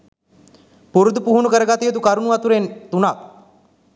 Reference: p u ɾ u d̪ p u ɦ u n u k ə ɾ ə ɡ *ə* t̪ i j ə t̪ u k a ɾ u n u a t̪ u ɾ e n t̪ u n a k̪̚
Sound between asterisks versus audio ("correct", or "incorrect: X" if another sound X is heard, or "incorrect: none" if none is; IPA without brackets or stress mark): incorrect: a